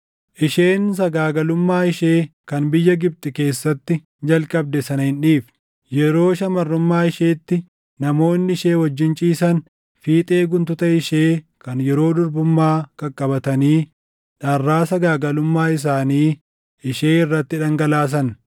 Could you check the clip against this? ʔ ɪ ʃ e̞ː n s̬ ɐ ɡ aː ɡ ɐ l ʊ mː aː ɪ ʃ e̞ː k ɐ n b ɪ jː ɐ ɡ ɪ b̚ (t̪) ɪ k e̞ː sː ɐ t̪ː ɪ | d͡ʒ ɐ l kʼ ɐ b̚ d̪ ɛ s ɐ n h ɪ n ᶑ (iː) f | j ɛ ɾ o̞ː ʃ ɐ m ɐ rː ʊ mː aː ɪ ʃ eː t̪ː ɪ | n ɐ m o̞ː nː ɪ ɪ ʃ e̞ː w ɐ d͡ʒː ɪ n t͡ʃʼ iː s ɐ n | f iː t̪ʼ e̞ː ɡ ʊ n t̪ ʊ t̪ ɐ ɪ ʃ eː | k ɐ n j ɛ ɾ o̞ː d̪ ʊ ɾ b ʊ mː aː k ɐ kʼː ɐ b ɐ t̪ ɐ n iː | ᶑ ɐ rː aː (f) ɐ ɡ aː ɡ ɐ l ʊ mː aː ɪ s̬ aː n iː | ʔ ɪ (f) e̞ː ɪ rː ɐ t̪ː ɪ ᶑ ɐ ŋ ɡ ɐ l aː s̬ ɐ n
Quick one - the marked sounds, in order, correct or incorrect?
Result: incorrect, correct, incorrect, incorrect

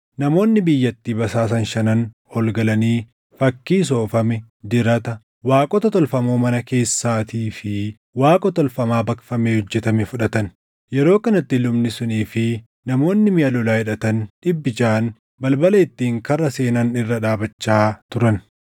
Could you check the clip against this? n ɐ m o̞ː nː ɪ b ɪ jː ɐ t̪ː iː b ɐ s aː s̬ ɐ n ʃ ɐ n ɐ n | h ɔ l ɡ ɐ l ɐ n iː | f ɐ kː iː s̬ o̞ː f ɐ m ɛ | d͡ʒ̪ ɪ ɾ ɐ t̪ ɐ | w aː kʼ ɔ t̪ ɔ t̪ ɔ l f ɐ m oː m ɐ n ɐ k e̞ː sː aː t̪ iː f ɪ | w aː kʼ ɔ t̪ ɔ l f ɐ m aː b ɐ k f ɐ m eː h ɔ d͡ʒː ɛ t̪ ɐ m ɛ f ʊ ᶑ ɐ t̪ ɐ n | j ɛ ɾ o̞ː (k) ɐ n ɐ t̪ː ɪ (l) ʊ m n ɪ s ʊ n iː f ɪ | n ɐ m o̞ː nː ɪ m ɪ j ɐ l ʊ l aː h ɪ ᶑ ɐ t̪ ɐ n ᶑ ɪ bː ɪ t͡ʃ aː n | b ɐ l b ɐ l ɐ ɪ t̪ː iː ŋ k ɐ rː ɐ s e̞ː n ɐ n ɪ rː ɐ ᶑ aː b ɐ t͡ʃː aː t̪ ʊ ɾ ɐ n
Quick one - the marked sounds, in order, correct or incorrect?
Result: correct, correct

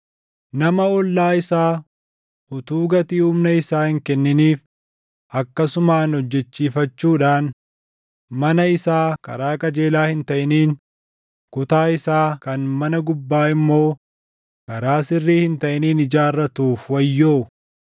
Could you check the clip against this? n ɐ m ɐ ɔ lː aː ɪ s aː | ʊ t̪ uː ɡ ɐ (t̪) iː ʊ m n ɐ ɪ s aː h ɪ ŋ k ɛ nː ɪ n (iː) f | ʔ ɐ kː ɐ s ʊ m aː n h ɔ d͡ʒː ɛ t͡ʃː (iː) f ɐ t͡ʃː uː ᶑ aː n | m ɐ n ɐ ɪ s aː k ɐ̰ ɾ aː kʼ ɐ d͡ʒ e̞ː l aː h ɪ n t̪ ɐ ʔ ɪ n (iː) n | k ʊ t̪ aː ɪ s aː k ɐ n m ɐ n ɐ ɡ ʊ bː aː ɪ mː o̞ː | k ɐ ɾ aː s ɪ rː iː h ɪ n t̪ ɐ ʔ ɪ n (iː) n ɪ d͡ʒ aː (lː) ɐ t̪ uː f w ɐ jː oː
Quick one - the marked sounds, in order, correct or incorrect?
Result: correct, correct, correct, correct, correct, incorrect

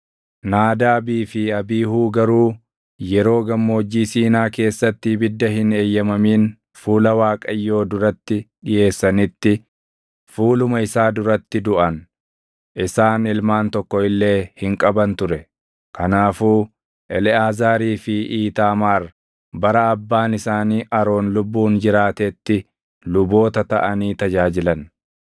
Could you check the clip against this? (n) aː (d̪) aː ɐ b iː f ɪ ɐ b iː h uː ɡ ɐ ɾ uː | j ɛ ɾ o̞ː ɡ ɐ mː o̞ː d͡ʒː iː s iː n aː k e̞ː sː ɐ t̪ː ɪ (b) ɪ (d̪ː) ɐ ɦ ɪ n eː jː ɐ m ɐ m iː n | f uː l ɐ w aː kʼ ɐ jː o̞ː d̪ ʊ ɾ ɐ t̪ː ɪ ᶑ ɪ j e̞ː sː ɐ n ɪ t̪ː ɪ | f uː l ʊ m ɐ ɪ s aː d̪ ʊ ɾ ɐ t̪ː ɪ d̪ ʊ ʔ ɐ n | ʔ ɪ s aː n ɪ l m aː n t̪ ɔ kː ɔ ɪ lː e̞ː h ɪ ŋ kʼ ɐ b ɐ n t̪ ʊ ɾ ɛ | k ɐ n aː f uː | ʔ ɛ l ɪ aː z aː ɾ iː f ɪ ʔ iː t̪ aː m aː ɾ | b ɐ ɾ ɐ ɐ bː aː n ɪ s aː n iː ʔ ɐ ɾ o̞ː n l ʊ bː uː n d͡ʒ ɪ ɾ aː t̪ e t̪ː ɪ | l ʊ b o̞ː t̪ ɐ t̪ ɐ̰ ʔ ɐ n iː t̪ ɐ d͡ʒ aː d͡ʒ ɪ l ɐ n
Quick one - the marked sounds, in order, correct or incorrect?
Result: correct, correct, correct, correct

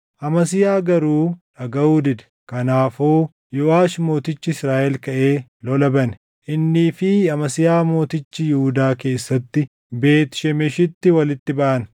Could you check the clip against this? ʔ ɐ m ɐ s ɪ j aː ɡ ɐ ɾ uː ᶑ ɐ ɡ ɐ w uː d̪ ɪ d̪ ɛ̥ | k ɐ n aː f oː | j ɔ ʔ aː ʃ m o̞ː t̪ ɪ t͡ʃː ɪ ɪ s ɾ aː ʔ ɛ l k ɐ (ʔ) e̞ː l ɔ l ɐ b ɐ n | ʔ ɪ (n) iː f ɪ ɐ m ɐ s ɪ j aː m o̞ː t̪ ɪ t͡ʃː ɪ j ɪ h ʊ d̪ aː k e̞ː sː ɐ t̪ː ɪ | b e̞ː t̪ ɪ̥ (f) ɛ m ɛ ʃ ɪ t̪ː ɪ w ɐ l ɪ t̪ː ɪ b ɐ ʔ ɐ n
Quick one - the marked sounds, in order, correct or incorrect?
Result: correct, incorrect, incorrect

